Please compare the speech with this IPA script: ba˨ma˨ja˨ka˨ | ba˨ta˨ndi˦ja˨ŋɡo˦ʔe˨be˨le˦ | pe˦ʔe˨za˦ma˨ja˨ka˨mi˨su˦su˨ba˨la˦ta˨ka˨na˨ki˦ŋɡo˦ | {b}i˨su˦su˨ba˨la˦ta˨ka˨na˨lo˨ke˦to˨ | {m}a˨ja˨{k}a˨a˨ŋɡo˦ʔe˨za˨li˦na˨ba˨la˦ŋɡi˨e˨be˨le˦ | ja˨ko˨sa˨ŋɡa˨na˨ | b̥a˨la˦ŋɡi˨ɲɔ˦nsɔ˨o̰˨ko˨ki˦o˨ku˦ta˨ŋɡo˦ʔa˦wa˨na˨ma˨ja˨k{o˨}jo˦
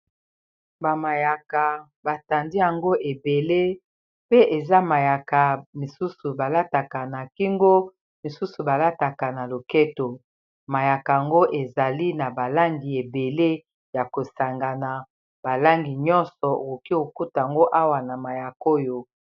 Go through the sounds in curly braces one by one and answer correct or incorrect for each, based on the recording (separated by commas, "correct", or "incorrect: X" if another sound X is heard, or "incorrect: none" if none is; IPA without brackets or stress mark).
incorrect: m, correct, correct, incorrect: o˦